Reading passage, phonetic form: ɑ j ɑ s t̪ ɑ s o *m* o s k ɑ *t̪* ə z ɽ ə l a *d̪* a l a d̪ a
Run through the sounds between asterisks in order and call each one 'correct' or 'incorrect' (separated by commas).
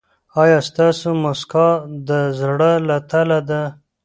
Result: correct, incorrect, incorrect